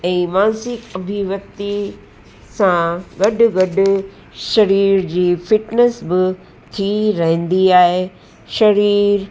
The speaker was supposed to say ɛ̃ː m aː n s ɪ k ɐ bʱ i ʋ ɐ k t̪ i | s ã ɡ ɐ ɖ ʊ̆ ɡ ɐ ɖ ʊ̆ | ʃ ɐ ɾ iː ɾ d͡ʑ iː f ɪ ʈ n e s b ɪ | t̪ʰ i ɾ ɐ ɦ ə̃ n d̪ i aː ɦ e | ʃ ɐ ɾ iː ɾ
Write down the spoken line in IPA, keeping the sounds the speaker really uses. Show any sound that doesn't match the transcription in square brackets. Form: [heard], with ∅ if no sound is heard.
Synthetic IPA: ɛ̃ː m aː n s ɪ k ɐ bʱ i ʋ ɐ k t̪ i | s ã ɡ ɐ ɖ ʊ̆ ɡ ɐ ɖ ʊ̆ | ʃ ɐ ɾ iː ɾ d͡ʑ iː f ɪ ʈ n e s b ɪ | t̪ʰ i ɾ ɐ ɦ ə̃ n d̪ i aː ɦ e | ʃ ɐ ɾ iː ɾ